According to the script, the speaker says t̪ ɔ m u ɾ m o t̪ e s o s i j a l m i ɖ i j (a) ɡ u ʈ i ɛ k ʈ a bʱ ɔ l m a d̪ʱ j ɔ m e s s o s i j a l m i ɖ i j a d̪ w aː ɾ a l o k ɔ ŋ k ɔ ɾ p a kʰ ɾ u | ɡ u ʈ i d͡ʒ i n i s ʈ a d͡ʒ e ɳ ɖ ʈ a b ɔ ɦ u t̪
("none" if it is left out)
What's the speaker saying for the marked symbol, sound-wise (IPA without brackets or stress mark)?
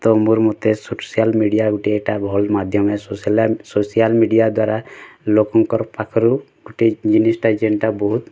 a